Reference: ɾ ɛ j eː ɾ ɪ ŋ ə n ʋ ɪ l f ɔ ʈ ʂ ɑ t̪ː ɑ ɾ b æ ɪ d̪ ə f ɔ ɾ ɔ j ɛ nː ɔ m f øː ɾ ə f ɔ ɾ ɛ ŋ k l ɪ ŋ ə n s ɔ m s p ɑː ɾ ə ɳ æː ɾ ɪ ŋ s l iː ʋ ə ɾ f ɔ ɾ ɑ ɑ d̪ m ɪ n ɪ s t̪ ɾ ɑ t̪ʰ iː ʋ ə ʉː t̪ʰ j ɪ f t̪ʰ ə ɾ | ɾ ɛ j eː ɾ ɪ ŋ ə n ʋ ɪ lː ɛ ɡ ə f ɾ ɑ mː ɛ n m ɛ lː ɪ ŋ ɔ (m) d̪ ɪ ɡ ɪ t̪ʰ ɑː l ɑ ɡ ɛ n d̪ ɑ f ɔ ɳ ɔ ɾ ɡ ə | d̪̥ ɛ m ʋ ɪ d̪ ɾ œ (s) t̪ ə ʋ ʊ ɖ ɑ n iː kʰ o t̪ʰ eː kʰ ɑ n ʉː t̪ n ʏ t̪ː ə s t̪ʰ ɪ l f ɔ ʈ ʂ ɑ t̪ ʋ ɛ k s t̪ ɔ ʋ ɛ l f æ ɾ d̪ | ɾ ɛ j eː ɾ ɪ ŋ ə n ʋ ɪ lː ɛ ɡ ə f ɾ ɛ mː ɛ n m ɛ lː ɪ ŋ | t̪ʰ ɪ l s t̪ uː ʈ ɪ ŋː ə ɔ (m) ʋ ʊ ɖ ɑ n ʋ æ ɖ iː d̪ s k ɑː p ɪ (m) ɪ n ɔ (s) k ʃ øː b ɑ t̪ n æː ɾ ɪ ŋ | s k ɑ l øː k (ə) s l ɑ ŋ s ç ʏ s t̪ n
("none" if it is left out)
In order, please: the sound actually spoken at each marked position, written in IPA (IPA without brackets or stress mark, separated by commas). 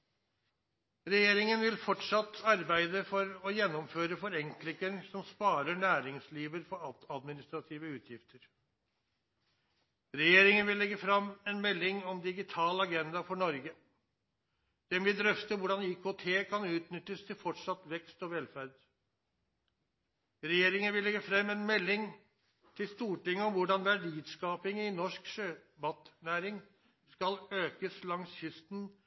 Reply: m, f, m, ŋ, ʂ, ə